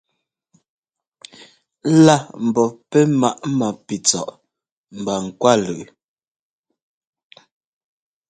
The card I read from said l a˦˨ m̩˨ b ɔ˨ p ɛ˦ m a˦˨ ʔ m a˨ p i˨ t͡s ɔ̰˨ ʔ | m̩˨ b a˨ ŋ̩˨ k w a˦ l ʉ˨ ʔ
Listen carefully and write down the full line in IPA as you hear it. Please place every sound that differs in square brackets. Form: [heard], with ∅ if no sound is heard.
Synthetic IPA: l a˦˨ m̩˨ b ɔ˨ p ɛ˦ m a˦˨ ʔ m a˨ p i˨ t͡s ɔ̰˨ ʔ | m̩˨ b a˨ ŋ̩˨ k w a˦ l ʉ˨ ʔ